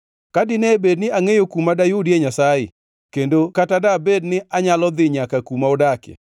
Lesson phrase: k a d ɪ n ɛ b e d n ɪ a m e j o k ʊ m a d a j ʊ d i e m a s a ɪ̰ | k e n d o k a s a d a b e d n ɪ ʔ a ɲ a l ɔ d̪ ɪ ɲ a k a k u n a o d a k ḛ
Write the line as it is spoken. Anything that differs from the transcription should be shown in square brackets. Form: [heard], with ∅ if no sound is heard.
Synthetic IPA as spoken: k a d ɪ n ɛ b e d n ɪ a [ŋ] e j o k [u] m a d a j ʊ d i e [ɲ] a s a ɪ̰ | k e n d o k a [t] a d a b e d n ɪ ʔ a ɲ a l ɔ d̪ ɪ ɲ a k a k u [m] a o d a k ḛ

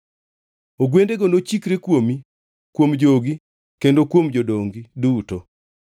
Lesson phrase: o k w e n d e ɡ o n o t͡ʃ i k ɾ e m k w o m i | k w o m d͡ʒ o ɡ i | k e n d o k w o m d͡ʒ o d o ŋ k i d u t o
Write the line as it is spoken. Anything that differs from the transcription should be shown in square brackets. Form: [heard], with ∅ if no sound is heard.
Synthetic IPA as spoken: o [ɡ] w e n d e ɡ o n o t͡ʃ i k ɾ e [∅] k w o m i | k w o m d͡ʒ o ɡ i | k e n d o k w o m d͡ʒ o d o ŋ [ɡ] i d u t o

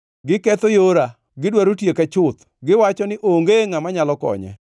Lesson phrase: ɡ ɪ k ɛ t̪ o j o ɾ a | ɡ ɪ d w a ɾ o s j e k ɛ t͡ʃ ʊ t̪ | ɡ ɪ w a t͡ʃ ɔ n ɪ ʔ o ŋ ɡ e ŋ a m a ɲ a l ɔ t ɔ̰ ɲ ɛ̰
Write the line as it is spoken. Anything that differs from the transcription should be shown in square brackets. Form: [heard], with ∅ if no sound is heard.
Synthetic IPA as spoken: ɡ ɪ k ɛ t̪ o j o ɾ a | ɡ ɪ d w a ɾ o [t] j e k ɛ t͡ʃ ʊ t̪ | ɡ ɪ w a t͡ʃ ɔ n ɪ ʔ o ŋ ɡ e ŋ a m a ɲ a l ɔ [k] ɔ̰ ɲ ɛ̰

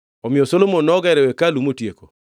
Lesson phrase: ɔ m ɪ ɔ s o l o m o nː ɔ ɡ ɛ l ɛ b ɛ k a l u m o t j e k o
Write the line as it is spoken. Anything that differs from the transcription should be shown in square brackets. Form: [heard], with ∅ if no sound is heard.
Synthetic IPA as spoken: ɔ m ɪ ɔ s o l o m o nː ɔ ɡ ɛ [ɾ] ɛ [w] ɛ k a l u m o t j e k o

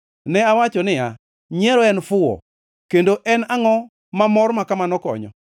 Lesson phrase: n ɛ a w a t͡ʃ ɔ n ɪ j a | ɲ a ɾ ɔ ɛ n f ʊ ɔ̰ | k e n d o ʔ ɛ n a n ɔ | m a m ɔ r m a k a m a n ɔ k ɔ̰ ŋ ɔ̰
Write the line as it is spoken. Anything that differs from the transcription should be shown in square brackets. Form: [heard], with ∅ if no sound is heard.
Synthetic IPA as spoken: n ɛ a w a t͡ʃ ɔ n ɪ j a | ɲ [ɛ] ɾ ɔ ɛ n f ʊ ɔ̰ | k e n d o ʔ ɛ n a [ŋ] ɔ | m a m ɔ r m a k a m a n ɔ k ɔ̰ [ɲ] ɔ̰

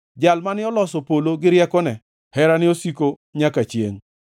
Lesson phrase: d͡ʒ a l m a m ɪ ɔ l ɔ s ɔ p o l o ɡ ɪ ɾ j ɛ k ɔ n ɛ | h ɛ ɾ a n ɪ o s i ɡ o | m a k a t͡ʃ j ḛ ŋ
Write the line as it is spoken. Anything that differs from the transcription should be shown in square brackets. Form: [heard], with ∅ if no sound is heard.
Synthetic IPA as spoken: d͡ʒ a l m a [n] ɪ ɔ l ɔ s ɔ p o l o ɡ ɪ ɾ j ɛ k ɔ n ɛ | h ɛ ɾ a n ɪ o s i [k] o | [ɲ] a k a t͡ʃ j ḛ ŋ

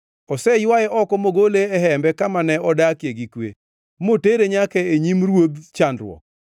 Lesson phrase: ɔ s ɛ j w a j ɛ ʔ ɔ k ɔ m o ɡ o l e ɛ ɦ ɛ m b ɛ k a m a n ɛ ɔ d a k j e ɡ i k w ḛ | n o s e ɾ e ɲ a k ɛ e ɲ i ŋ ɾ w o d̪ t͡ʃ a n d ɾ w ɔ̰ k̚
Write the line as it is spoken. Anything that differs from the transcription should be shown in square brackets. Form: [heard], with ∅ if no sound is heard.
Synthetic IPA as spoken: ɔ s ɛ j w a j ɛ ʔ ɔ k ɔ m o ɡ o l e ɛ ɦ ɛ m b ɛ k a m a n ɛ ɔ d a k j e ɡ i k w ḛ | [m] o [t] e ɾ e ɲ a k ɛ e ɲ i [m] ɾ w o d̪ t͡ʃ a n d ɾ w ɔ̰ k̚

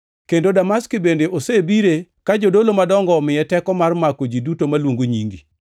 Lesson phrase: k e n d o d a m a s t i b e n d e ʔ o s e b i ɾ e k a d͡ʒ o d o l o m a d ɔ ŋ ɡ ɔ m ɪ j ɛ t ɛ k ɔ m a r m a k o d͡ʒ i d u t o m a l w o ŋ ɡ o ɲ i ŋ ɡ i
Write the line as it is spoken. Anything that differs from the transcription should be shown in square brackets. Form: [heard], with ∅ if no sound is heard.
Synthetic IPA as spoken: k e n d o d a m a s [k] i b e n d e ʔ o s e b i ɾ e k a d͡ʒ o d o l o m a d ɔ ŋ ɡ ɔ m ɪ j ɛ t ɛ k ɔ m a r m a k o d͡ʒ i d u t o m a l w o ŋ ɡ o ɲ i ŋ ɡ i

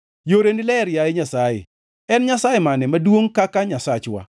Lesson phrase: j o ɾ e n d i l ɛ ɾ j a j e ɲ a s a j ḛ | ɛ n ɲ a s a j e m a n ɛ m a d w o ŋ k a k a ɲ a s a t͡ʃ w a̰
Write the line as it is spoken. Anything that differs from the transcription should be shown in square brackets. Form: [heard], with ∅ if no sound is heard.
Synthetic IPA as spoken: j o ɾ e n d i l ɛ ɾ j a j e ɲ a s a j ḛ | ɛ n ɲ a s a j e m a n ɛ m a d w o ŋ k a k a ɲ a s a t͡ʃ w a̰

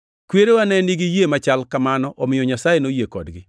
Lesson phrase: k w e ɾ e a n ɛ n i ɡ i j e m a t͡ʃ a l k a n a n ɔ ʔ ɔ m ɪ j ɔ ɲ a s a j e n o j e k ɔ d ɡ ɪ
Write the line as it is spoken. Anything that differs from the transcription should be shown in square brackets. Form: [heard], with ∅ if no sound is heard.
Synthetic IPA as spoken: k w e ɾ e a n ɛ n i ɡ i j e m a t͡ʃ a l k a [m] a n ɔ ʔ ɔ m ɪ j ɔ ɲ a s a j e n o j e k ɔ d ɡ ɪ

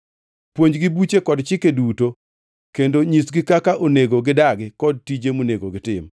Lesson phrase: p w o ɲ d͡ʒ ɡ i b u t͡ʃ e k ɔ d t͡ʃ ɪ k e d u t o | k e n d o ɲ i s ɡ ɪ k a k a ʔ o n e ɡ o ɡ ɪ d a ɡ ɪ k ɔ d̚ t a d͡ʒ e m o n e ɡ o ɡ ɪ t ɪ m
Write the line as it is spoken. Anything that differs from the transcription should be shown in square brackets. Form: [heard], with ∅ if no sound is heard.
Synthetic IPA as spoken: p w o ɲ d͡ʒ ɡ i b u t͡ʃ e k ɔ d t͡ʃ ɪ k e d u t o | k e n d o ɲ i s ɡ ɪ k a k a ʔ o n e ɡ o ɡ ɪ d a ɡ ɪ k ɔ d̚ t [i] d͡ʒ e m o n e ɡ o ɡ ɪ t ɪ m

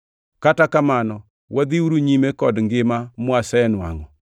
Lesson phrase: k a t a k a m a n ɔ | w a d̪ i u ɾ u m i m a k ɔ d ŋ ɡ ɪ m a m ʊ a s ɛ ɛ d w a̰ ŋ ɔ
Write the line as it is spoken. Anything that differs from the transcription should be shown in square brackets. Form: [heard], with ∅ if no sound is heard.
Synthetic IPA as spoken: k a t a k a m a n ɔ | w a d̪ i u ɾ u [ɲ] i m [e] k ɔ d ŋ ɡ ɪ m a m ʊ a s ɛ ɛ [n] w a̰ ŋ ɔ

